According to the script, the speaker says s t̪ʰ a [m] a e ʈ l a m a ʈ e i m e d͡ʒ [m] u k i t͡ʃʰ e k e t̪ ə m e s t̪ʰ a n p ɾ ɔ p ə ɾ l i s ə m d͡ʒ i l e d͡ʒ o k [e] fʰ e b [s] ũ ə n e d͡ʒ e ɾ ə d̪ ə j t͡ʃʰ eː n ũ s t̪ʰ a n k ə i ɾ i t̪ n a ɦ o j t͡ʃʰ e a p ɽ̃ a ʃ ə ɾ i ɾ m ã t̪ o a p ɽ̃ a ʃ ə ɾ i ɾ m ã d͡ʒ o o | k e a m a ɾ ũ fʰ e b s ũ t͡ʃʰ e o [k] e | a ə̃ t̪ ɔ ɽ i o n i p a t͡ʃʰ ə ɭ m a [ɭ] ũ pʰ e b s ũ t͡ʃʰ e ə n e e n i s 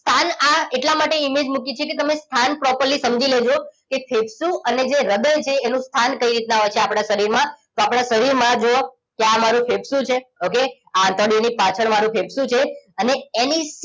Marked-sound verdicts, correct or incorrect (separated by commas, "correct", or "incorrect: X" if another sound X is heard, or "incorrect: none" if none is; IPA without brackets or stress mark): incorrect: n, correct, correct, correct, correct, incorrect: ɾ